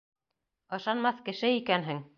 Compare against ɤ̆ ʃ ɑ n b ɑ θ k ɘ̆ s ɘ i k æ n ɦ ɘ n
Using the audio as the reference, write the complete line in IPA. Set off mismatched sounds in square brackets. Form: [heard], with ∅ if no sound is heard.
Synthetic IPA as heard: ɤ̆ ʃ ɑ n [m] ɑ θ k ɘ̆ [ʃ] ɘ i k æ n ɦ ɘ [ŋ]